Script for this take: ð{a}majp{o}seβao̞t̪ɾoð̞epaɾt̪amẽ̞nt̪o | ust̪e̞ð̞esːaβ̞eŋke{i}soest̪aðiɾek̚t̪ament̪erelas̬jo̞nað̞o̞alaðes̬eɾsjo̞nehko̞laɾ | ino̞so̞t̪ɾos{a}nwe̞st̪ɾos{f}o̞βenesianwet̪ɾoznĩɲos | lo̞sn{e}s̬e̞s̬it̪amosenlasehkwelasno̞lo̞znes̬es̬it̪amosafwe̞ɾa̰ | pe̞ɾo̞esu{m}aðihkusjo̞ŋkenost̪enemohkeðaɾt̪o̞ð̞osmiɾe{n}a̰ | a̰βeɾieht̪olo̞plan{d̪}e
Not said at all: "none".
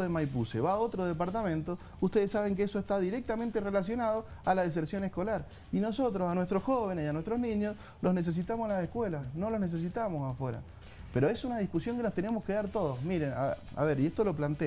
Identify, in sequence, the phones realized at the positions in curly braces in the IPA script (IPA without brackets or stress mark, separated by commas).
e, u, e, a, x, e, n, n, t̪